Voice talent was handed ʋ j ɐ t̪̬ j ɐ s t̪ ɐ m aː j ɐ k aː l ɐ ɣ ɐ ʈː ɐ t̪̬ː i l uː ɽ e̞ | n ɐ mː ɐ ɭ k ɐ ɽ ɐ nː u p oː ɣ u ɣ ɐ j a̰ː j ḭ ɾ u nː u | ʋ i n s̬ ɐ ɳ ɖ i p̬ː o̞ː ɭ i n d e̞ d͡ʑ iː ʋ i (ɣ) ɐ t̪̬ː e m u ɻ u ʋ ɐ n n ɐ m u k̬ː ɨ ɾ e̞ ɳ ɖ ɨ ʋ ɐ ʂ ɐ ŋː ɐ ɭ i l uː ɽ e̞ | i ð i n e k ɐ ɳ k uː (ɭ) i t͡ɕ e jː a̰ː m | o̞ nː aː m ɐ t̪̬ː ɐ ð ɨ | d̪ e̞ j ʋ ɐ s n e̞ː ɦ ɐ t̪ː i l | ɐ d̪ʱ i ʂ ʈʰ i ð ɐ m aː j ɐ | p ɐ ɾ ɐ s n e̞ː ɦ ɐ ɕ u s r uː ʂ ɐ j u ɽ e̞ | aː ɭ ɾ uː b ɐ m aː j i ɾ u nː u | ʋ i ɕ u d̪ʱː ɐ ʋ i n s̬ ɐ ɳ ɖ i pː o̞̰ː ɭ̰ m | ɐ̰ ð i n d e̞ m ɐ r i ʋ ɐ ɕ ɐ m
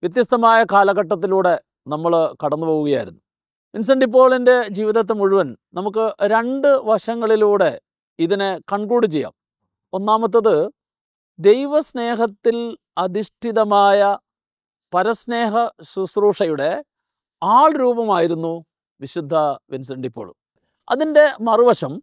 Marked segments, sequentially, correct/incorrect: incorrect: ð, incorrect: ɽ

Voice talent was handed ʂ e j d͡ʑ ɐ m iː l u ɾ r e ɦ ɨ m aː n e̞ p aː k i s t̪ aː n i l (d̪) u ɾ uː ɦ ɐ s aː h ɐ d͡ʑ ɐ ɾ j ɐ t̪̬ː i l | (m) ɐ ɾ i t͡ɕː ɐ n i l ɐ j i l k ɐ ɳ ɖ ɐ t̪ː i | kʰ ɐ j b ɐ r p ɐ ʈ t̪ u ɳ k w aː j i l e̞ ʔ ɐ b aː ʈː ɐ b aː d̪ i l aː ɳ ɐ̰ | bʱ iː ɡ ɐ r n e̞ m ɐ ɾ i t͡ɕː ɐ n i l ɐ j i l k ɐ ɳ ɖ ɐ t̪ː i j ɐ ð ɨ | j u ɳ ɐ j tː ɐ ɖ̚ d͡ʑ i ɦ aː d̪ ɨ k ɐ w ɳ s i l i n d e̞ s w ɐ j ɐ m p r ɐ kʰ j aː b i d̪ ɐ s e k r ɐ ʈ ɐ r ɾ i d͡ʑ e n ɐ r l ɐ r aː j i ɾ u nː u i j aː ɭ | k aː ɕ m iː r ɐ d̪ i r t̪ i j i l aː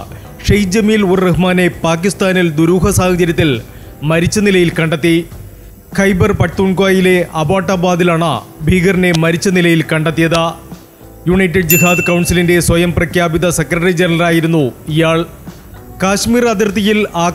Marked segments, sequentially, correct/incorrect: correct, correct

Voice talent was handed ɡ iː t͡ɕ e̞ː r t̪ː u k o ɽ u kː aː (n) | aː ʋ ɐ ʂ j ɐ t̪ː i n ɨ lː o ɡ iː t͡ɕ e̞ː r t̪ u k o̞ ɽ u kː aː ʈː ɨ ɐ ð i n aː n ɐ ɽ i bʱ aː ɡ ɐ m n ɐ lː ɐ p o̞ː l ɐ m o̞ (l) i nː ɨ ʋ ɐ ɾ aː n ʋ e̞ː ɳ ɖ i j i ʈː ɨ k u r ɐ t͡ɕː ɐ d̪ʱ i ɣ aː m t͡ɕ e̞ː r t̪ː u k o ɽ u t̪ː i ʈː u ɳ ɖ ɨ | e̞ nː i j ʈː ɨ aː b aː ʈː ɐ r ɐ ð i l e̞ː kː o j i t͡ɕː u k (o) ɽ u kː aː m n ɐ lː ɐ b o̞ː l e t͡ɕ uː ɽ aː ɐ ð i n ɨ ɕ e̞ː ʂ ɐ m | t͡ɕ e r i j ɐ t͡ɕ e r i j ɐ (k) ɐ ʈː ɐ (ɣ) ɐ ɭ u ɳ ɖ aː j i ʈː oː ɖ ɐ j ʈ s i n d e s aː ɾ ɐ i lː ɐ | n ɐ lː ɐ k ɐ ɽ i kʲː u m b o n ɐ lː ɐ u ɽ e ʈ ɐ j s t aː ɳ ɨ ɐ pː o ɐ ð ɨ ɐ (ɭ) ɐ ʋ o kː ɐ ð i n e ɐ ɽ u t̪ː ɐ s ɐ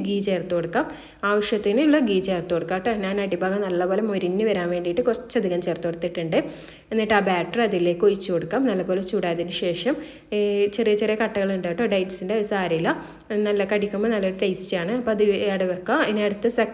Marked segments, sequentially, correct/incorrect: incorrect: m, incorrect: ɾ, correct, correct, correct, incorrect: ɽ

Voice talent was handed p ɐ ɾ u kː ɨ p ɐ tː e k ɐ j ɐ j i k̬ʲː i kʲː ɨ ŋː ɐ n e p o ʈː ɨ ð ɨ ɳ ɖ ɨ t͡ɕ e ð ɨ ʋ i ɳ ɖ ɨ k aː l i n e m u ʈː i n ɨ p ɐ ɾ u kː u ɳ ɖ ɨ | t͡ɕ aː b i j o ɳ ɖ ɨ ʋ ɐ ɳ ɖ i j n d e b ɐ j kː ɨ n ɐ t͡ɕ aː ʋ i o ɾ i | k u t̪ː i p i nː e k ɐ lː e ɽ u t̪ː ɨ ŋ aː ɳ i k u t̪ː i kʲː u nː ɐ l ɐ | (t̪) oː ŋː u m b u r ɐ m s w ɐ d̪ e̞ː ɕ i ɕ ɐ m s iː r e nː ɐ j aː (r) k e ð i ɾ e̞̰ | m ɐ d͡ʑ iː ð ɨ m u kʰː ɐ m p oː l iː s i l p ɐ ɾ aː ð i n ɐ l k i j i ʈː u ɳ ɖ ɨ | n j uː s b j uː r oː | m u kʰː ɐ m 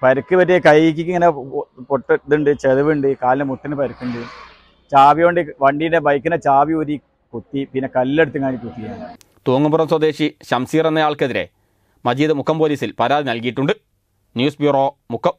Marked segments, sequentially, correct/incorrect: correct, incorrect: ɭ

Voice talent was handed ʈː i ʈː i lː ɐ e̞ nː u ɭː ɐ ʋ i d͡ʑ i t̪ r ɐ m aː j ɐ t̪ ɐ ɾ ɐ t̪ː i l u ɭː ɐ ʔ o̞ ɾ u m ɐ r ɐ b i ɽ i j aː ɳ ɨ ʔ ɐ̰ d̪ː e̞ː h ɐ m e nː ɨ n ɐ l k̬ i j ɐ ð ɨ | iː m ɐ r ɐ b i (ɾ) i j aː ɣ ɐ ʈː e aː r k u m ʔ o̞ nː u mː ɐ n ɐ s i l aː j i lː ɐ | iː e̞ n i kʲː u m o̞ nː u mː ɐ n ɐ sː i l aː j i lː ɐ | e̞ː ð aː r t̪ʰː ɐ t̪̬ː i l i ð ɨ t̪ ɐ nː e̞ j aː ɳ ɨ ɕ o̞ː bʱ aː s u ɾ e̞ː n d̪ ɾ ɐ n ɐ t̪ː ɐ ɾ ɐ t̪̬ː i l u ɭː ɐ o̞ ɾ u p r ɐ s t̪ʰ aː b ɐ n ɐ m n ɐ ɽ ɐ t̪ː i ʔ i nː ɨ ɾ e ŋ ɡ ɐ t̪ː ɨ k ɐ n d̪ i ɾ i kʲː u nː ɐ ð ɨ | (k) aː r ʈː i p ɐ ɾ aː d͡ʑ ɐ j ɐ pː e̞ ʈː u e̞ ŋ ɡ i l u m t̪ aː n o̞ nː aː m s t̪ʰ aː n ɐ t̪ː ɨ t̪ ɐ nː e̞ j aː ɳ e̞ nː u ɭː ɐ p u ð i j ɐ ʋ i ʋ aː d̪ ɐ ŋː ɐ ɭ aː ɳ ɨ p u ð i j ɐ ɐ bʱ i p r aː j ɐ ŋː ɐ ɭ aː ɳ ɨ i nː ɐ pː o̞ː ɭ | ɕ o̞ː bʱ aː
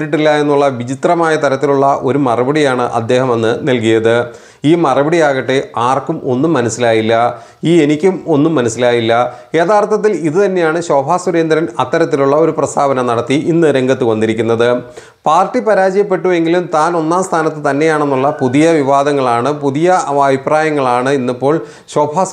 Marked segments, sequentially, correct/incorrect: incorrect: ɽ, incorrect: p

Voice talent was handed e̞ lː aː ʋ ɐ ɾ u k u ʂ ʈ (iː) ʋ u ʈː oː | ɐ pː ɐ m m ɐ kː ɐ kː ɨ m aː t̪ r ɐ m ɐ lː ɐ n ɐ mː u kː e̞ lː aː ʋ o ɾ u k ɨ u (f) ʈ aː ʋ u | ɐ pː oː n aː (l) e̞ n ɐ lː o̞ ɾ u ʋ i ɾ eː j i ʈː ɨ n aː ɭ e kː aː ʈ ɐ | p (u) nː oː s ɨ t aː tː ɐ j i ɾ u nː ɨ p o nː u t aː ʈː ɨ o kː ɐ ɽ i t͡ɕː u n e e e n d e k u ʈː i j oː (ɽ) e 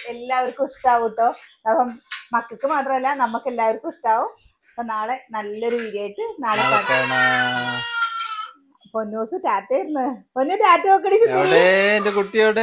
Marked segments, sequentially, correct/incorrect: incorrect: aː, incorrect: ʂ, incorrect: ɭ, incorrect: o, correct

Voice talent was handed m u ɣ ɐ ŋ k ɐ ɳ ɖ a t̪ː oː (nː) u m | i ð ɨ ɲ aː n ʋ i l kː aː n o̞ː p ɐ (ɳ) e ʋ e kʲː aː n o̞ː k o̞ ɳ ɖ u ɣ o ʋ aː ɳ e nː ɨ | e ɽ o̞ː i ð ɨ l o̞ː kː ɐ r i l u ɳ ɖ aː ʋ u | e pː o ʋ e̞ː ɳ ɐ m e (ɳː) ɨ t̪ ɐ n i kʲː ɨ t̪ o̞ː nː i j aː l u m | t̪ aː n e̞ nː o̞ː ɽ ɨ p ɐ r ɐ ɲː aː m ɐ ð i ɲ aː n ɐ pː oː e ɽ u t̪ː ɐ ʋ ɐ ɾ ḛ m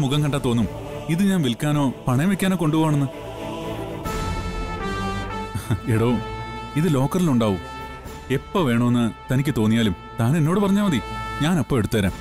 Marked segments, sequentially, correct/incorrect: correct, correct, incorrect: nː

